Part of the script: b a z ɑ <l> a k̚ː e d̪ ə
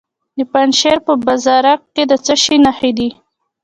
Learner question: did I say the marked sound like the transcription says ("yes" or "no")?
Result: no